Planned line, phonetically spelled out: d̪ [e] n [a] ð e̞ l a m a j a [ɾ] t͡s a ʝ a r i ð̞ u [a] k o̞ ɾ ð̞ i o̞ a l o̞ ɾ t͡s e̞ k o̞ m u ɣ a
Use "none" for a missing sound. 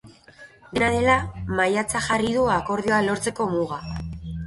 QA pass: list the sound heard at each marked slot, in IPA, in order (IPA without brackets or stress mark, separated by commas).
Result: e, a, none, a